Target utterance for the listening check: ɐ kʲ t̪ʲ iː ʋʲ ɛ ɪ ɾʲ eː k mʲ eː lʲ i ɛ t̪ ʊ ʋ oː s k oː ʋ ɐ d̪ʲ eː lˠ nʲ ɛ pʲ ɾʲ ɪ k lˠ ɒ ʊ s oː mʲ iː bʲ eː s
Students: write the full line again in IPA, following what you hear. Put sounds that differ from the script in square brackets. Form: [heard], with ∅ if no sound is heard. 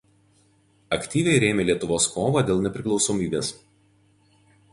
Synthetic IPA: ɐ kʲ t̪ʲ iː ʋʲ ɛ ɪ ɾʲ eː [∅] mʲ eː lʲ i ɛ t̪ ʊ ʋ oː s k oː ʋ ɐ d̪ʲ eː lˠ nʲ ɛ pʲ ɾʲ ɪ k lˠ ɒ ʊ s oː mʲ iː bʲ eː s